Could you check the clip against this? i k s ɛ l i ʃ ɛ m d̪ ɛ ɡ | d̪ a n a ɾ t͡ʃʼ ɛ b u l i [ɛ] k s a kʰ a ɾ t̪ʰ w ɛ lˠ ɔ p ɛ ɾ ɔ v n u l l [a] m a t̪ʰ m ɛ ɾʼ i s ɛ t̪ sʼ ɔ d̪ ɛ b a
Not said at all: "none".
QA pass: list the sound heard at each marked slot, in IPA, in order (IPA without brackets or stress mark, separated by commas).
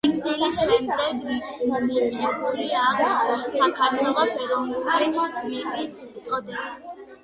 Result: a, i